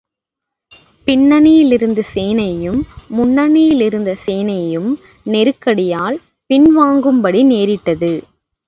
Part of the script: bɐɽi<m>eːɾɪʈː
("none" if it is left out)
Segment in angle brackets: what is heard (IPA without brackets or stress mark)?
n